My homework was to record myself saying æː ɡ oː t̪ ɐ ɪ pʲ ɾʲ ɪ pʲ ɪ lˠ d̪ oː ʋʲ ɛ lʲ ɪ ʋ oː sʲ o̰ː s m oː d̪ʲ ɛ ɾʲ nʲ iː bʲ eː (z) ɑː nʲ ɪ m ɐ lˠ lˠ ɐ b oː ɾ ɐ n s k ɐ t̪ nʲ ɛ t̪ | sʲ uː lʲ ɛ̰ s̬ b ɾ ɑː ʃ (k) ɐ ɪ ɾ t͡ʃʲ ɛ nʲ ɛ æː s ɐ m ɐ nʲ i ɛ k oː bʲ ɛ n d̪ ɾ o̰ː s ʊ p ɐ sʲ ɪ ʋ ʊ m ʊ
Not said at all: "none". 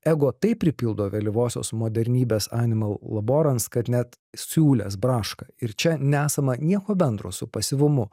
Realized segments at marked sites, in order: s, k

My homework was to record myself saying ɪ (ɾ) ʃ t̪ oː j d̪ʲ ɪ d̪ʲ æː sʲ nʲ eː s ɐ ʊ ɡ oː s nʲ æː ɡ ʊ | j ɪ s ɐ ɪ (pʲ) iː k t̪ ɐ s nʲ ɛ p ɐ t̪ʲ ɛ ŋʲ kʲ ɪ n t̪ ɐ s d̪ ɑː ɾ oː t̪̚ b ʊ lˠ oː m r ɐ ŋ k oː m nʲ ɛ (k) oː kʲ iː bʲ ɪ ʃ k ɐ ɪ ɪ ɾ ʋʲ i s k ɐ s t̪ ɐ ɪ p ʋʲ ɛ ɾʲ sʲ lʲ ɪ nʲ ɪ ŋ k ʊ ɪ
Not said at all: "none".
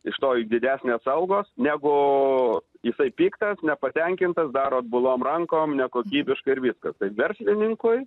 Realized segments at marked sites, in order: none, pʲ, k

